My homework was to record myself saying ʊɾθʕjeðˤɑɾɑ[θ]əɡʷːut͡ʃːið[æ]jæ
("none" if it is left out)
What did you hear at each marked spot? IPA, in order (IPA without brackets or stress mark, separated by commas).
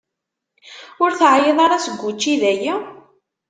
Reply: s, æ